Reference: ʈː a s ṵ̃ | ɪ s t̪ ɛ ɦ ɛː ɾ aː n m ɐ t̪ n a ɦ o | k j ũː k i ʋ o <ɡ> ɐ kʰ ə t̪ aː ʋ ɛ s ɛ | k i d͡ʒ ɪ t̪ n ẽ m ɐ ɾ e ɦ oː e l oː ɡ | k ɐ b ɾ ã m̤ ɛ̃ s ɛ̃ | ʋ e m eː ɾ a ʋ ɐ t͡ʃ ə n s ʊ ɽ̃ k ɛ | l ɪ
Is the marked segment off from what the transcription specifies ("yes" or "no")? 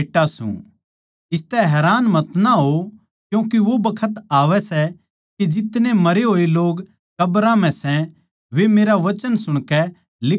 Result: yes